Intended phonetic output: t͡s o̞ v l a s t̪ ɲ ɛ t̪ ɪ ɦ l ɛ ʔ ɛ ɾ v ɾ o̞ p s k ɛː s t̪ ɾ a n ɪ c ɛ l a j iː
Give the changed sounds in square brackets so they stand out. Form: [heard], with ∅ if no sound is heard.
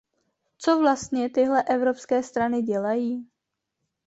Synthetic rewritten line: t͡s o̞ v l a s t̪ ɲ ɛ t̪ ɪ ɦ l ɛ ʔ ɛ [∅] v ɾ o̞ p s k ɛː s t̪ ɾ a n ɪ [ɟ] ɛ l a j iː